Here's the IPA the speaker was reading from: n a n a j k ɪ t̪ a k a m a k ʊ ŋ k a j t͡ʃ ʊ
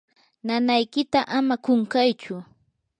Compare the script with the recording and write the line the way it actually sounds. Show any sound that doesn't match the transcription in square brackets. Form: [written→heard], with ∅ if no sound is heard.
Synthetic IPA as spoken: n a n a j k ɪ t̪ a [k→ʔ] a m a k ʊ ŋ k a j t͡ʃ ʊ